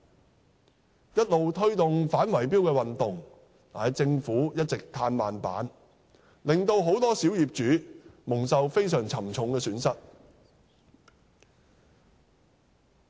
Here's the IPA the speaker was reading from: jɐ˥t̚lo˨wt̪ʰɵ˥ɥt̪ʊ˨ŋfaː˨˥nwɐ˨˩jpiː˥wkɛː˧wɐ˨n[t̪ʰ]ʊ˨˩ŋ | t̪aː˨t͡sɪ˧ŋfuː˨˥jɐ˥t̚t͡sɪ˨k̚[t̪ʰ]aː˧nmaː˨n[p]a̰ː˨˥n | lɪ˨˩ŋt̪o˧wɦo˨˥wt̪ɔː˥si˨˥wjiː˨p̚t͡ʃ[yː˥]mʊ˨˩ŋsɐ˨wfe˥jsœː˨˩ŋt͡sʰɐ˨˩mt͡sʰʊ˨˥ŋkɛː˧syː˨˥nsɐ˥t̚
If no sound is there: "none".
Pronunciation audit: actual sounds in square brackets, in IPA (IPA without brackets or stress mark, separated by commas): t̪, t̪ʰ, p, yː˨˥